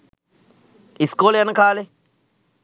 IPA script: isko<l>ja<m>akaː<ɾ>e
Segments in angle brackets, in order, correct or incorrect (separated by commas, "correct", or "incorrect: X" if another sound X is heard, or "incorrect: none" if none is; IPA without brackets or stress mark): correct, incorrect: n, incorrect: l